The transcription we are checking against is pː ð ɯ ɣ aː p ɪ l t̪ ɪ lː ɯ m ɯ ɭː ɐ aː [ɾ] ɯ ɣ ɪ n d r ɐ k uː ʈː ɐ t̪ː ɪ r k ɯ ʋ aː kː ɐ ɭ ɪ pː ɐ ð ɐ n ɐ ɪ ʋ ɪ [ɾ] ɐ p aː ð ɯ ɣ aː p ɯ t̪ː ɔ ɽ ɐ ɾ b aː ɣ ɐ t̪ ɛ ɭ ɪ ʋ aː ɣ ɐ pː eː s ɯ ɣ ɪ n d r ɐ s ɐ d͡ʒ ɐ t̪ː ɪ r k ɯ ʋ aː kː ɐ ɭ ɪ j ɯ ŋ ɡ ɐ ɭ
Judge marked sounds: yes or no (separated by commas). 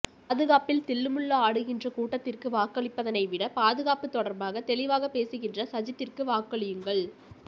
no, no